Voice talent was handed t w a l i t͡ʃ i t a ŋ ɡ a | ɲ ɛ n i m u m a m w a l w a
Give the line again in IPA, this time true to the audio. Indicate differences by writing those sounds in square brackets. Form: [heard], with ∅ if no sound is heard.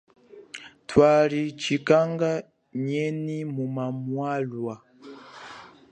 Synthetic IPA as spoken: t w a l i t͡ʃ i [k] a ŋ ɡ a | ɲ ɛ n i m u m a m w a l w a